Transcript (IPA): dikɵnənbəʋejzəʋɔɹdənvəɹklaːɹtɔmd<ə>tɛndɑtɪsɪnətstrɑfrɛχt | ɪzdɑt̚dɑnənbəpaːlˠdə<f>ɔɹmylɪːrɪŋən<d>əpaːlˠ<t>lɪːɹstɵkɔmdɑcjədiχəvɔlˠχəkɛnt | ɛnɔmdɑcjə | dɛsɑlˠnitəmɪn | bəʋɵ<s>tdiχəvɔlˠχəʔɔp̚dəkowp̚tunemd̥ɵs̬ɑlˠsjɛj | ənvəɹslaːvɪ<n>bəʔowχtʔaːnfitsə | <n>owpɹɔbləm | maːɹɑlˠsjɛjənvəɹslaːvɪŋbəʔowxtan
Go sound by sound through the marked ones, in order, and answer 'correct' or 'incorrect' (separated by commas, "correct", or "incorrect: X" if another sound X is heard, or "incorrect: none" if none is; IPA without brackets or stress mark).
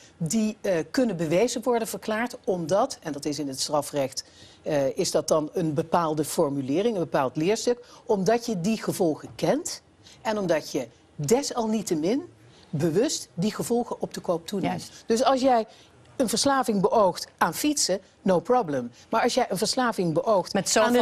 incorrect: ɑ, correct, incorrect: b, correct, correct, incorrect: ŋ, correct